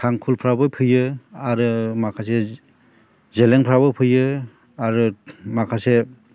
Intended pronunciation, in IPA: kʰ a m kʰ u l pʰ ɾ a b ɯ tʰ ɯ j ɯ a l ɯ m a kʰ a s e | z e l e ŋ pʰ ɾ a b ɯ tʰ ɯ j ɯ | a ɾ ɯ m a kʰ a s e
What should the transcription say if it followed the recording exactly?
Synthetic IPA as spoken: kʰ a ŋ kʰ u l pʰ ɾ a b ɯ pʰ ɯ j ɯ a ɾ ɯ m a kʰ a s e | z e l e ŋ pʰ ɾ a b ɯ pʰ ɯ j ɯ | a ɾ ɯ m a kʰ a s e